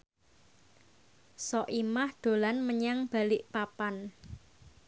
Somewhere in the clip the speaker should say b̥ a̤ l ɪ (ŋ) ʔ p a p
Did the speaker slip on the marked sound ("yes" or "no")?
yes